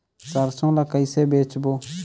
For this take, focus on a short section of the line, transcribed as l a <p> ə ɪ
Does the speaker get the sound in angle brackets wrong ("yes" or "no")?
yes